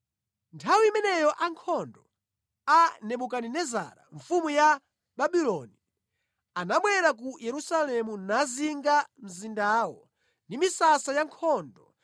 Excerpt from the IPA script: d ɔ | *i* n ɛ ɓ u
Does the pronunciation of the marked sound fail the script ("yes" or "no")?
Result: yes